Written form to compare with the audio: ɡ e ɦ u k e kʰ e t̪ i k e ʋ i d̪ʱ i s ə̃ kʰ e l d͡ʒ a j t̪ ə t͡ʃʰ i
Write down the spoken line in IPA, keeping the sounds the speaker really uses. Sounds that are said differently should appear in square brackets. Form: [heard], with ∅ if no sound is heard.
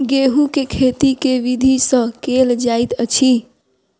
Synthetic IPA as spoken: ɡ e ɦ u k e kʰ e t̪ i k e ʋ i d̪ʱ i s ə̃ [k] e l d͡ʒ a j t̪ ə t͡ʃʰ i